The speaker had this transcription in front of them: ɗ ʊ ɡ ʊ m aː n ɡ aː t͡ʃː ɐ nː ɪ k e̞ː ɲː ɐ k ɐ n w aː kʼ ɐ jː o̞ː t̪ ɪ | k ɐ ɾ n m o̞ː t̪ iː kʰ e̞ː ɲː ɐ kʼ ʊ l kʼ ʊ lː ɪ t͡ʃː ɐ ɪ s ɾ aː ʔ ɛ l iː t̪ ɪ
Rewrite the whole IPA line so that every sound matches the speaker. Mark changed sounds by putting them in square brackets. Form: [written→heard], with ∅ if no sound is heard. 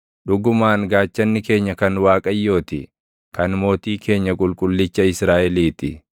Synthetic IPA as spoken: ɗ ʊ ɡ ʊ m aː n ɡ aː t͡ʃː ɐ nː ɪ k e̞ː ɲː ɐ k ɐ n w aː kʼ ɐ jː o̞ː t̪ ɪ | k ɐ [ɾ→∅] n m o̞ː t̪ iː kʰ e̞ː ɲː ɐ kʼ ʊ l kʼ ʊ lː ɪ t͡ʃː ɐ ɪ s ɾ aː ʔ ɛ l iː t̪ ɪ